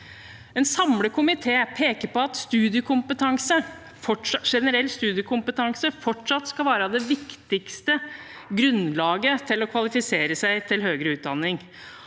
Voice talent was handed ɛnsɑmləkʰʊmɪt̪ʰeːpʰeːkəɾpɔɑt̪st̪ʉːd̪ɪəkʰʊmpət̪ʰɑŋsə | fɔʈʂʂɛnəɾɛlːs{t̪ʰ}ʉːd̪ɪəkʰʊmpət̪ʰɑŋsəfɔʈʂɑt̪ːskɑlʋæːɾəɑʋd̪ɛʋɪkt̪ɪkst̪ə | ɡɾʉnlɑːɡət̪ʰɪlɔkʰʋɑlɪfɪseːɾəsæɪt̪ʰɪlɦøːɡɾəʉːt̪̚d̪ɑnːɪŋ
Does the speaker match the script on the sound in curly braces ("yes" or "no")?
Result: no